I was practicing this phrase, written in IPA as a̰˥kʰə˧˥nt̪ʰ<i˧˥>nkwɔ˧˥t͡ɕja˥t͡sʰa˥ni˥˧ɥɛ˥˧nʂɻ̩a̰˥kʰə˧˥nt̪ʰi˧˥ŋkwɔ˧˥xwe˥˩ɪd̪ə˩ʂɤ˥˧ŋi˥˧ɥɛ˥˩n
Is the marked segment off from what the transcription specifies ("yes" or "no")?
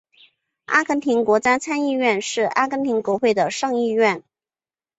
no